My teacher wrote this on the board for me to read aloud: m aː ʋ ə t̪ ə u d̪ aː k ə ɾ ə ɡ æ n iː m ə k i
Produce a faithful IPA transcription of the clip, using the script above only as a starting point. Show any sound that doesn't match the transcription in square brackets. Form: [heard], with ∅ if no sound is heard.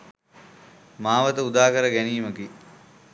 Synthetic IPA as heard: m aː ʋ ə t̪ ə u d̪ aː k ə ɾ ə ɡ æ n iː m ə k i

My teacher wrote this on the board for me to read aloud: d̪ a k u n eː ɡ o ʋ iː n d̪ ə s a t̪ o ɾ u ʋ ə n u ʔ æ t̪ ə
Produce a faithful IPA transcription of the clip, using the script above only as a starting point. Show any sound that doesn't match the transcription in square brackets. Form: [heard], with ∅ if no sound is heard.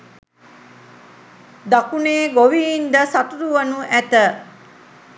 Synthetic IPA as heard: d̪ a k u n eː ɡ o ʋ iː n d̪ ə s a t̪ [u] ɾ u ʋ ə n u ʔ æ t̪ ə

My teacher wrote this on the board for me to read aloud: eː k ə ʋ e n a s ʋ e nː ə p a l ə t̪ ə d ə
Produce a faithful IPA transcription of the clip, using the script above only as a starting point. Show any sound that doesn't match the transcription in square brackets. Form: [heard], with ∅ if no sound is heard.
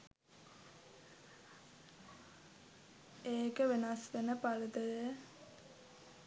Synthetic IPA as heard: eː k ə ʋ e n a s ʋ e [n] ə p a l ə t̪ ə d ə

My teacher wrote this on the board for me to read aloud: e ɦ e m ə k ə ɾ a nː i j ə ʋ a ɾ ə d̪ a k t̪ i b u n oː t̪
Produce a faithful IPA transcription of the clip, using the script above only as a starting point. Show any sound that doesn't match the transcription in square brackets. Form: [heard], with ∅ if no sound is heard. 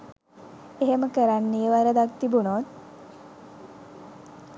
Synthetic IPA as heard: e ɦ e m ə k ə ɾ a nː i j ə ʋ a ɾ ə d̪ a k t̪ i b u n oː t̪

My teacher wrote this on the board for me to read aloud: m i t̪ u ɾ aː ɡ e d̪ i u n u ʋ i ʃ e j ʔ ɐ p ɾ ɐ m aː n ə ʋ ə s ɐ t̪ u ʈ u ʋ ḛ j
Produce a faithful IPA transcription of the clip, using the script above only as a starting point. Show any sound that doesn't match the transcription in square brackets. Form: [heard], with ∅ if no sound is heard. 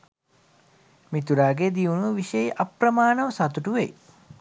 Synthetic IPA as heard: m i t̪ u ɾ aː ɡ e d̪ i u n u ʋ i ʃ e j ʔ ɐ p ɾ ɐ m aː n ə ʋ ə s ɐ t̪ u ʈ u ʋ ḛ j

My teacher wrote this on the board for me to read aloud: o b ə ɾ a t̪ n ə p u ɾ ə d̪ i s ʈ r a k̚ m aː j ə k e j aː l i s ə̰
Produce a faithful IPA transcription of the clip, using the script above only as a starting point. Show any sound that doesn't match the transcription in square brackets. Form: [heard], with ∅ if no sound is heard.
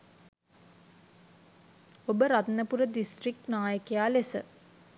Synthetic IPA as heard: o b ə ɾ a t̪ n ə p u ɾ ə d̪ i s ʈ r [i] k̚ [n] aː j ə k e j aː l [e] s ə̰

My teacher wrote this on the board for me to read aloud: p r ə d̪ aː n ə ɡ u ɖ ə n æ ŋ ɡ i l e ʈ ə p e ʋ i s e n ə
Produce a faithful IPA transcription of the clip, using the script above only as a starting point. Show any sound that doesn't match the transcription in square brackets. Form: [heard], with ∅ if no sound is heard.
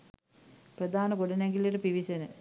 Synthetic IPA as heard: p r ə d̪ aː n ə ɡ [o] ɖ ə n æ ŋ ɡ i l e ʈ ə p [i] ʋ i s e n ə

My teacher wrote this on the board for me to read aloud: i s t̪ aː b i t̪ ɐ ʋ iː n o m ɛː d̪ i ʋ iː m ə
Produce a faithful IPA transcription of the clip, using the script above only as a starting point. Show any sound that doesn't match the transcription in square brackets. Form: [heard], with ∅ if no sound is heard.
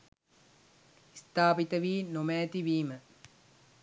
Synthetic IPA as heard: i s t̪ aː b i t̪ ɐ ʋ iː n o m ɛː [t̪] i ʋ iː m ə

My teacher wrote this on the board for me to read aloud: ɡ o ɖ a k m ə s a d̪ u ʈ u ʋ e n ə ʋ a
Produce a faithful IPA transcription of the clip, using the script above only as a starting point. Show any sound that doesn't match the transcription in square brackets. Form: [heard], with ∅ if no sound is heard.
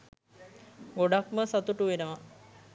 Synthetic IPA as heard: ɡ o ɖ a k m ə s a [t̪] u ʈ u ʋ e n ə ʋ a

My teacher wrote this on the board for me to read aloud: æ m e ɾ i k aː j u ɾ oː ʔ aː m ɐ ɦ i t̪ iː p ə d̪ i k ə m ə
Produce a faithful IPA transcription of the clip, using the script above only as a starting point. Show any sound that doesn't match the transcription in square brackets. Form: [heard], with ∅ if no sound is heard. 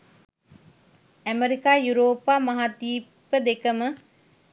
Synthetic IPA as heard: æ m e ɾ i k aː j u ɾ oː [p] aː m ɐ ɦ [a] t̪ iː p ə d̪ [e] k ə m ə

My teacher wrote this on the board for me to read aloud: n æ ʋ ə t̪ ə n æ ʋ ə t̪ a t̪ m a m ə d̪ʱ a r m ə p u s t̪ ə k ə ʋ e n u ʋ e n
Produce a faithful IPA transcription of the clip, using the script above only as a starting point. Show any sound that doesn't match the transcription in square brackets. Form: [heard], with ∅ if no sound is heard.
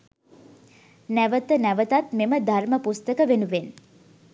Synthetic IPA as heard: n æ ʋ ə t̪ ə n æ ʋ ə t̪ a t̪ m [e] m ə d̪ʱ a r m ə p u s t̪ ə k ə ʋ e n u ʋ e n

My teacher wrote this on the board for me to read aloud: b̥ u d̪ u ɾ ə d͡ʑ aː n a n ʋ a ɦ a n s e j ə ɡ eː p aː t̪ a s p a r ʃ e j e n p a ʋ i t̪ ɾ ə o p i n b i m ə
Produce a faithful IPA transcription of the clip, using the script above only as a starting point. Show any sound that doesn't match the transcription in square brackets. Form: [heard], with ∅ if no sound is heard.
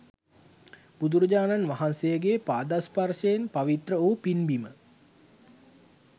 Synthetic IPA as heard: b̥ u d̪ u ɾ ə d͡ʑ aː n a n ʋ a ɦ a n s e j ə ɡ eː p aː [d̪] a s p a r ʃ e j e n p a ʋ i t̪ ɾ ə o p i n b i m ə

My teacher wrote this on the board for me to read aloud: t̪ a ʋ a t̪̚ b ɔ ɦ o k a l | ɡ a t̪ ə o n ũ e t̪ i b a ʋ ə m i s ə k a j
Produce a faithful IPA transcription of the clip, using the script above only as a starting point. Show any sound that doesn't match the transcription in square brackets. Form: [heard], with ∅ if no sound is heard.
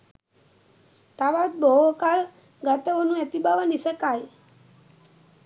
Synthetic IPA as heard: t̪ a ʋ a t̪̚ b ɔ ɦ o k a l | ɡ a t̪ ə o n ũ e t̪ i b a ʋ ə [n] i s ə k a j

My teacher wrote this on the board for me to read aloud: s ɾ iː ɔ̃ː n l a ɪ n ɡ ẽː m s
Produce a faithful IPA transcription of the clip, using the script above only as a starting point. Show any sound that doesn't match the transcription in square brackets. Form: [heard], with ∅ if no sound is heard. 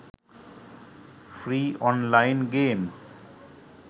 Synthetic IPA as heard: [f] ɾ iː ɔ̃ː n l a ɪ n ɡ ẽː m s

